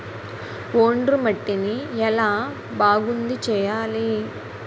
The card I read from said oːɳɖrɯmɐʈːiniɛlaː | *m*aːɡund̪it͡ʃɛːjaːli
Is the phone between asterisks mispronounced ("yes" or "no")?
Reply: yes